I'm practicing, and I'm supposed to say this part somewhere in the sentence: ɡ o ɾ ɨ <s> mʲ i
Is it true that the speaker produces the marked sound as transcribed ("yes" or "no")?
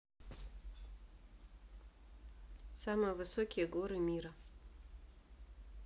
no